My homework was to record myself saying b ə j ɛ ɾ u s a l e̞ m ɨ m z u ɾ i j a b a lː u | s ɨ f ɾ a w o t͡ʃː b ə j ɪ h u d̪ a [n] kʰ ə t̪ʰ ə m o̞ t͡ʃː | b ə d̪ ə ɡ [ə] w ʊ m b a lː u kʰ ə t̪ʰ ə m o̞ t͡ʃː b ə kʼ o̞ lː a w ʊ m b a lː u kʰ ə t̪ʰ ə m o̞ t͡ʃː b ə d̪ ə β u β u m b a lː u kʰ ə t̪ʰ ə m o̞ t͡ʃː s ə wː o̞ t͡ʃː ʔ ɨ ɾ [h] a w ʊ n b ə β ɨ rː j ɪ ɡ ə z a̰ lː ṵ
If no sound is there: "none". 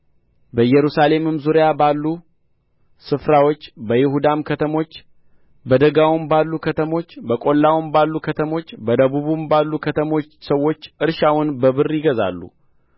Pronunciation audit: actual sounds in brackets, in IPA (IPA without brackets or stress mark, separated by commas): m, a, ʃ